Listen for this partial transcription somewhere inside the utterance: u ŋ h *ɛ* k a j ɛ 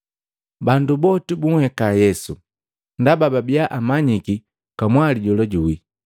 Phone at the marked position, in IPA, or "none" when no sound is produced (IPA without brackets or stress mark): ɛ